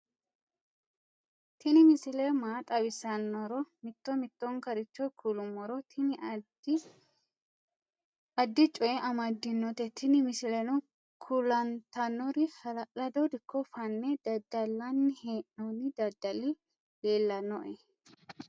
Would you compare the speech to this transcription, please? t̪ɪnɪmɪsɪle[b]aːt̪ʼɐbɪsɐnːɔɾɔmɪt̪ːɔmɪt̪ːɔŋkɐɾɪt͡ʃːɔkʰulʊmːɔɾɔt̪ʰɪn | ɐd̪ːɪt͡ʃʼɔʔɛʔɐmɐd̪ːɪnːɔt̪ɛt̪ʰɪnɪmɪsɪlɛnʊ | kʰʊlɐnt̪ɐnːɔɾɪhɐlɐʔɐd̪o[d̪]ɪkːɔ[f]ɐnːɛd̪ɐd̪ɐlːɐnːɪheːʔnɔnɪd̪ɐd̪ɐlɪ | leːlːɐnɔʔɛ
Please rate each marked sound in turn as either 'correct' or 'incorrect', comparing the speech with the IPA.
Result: incorrect, correct, correct

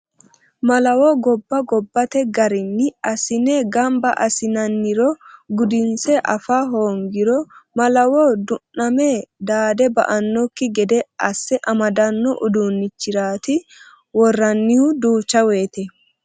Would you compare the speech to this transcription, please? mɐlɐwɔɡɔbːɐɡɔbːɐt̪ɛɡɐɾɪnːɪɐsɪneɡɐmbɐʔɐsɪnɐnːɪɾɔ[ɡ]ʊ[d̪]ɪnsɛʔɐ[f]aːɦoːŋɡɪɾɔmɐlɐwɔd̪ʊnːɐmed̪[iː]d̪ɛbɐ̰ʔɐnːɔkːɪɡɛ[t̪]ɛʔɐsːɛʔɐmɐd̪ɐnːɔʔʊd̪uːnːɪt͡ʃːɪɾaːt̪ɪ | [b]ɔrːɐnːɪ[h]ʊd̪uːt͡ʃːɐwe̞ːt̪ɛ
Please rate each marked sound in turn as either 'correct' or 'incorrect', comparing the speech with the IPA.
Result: correct, correct, correct, incorrect, incorrect, incorrect, correct

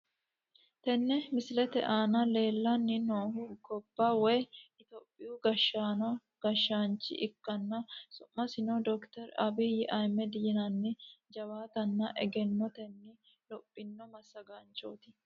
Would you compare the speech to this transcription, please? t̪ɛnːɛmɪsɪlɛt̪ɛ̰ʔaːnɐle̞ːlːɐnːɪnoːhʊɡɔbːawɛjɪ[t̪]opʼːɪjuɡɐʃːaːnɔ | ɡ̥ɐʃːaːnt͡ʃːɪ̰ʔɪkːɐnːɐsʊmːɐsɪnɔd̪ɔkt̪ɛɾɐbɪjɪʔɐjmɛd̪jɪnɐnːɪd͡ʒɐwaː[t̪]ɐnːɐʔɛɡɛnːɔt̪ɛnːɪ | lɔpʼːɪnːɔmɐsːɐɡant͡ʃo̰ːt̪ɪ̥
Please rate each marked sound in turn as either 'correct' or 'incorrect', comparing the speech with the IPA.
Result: correct, correct

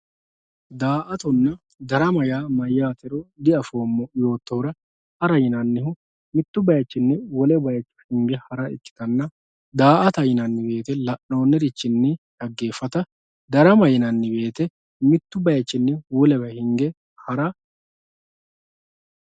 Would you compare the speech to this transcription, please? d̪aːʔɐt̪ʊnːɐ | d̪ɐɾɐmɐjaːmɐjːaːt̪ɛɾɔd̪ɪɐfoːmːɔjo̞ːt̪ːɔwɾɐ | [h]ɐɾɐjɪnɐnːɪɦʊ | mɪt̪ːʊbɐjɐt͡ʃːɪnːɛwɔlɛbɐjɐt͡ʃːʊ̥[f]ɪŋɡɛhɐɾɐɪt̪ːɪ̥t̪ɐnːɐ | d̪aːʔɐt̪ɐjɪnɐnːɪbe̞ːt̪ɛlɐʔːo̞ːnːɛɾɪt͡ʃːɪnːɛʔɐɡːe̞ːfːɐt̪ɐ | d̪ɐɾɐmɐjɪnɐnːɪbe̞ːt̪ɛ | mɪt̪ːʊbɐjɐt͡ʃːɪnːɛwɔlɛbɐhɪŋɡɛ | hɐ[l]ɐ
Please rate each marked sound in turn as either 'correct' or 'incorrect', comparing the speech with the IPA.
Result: correct, incorrect, incorrect

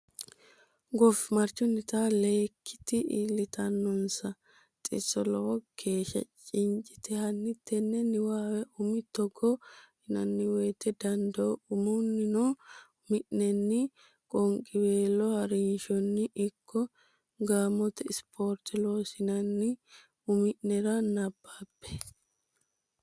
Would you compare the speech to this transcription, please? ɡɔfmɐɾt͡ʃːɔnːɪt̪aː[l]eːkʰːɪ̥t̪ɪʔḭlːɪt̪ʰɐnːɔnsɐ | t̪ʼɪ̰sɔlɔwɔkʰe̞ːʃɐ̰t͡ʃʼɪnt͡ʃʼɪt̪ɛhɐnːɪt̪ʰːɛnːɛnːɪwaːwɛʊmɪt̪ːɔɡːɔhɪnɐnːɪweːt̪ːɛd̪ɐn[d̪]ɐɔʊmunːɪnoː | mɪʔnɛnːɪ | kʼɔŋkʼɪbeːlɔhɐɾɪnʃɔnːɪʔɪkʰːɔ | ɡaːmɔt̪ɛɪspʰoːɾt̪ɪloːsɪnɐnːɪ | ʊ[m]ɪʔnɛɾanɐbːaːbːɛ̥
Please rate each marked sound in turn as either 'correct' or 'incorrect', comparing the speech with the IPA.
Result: correct, correct, correct

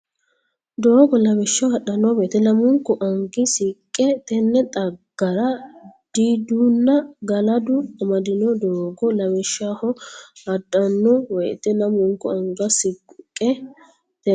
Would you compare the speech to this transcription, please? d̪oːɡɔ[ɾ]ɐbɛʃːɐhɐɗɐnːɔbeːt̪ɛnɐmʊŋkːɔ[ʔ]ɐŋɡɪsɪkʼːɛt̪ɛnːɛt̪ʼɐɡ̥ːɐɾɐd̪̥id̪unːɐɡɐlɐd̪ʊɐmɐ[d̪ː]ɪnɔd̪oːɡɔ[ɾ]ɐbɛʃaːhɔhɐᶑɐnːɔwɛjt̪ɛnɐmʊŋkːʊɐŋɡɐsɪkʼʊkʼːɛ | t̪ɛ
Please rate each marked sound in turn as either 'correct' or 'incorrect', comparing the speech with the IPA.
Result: incorrect, correct, incorrect, incorrect

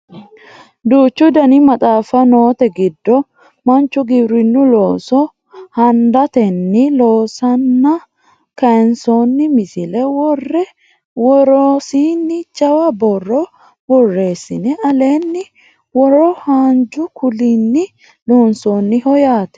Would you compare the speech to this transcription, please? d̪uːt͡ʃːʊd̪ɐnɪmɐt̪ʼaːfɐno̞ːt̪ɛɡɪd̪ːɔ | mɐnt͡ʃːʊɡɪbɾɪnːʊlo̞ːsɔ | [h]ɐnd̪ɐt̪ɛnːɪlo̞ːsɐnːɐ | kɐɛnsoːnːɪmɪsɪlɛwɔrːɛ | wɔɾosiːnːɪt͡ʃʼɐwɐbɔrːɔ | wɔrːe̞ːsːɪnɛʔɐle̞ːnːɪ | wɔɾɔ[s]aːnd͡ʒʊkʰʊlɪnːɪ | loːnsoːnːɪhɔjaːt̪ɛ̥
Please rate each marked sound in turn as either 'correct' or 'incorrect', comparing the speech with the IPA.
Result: correct, incorrect

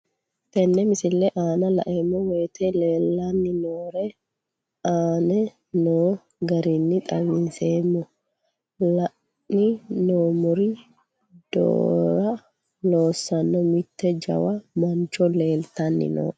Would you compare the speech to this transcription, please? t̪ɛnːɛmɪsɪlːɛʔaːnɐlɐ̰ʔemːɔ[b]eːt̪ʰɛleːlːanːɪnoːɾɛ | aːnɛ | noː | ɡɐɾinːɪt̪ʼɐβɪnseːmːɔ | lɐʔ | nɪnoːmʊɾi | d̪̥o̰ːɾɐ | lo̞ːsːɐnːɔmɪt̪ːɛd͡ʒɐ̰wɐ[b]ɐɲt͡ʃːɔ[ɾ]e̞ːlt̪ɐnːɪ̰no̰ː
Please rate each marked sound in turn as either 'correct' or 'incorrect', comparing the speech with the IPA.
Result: incorrect, incorrect, incorrect

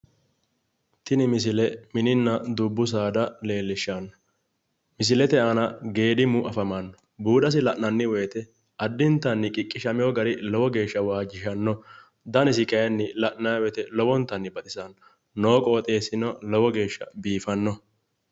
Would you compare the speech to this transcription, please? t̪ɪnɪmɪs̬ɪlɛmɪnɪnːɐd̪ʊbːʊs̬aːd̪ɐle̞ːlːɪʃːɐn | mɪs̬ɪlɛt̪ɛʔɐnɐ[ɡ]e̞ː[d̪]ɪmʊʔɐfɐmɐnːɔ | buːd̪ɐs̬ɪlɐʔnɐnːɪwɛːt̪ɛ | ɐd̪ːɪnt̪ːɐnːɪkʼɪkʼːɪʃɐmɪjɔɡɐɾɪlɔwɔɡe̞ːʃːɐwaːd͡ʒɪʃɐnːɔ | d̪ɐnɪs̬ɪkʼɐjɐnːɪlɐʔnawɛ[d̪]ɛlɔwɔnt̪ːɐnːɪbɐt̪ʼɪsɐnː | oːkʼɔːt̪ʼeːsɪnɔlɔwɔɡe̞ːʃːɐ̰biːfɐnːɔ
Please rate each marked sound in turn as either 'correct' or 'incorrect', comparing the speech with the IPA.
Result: correct, correct, incorrect

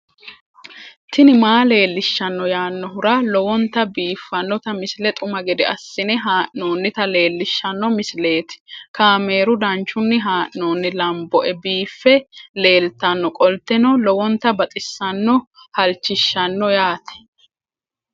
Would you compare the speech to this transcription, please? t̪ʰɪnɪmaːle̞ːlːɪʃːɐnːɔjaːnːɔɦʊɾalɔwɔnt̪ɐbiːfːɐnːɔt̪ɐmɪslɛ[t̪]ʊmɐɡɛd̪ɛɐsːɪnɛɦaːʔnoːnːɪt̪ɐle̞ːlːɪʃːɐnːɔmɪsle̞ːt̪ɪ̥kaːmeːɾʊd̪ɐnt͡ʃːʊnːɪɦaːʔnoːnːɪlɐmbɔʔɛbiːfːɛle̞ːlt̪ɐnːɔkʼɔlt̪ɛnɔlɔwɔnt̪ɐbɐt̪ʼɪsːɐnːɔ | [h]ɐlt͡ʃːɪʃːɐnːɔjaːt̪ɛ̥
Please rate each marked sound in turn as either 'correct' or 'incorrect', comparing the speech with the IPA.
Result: incorrect, correct

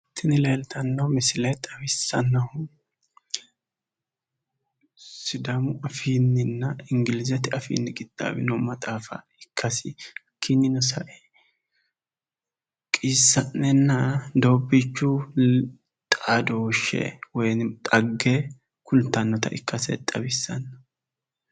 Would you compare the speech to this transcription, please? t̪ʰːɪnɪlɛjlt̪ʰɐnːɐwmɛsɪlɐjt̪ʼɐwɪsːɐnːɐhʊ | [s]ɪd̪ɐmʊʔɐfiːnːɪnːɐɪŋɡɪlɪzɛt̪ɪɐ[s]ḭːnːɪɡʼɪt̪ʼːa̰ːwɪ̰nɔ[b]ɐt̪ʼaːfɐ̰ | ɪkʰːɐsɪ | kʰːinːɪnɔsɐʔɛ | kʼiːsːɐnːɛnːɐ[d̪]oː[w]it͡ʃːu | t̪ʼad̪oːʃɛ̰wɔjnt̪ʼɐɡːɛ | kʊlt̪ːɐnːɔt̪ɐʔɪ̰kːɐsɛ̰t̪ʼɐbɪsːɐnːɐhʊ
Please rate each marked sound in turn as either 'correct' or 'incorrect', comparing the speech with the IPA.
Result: correct, incorrect, incorrect, correct, incorrect

